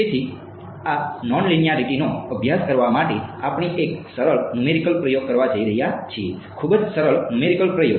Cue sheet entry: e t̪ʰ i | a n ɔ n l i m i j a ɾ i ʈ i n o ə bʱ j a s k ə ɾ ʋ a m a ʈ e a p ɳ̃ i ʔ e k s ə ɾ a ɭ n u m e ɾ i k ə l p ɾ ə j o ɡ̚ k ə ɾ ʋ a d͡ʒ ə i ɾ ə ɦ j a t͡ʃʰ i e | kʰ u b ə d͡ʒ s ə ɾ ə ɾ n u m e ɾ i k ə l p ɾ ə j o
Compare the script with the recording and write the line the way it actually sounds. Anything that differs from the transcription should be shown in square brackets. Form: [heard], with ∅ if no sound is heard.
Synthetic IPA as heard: e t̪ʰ i | a n ɔ n l i [n] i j a ɾ i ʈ i n o ə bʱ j a s k ə ɾ ʋ a m a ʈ e a p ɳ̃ i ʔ e k s ə ɾ [ə] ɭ n u m e ɾ i k ə l p ɾ ə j o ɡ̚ k ə ɾ ʋ a d͡ʒ ə i ɾ ə ɦ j a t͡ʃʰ i e | kʰ u b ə d͡ʒ s ə ɾ ə [ɭ] n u m e ɾ i k ə l p ɾ ə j o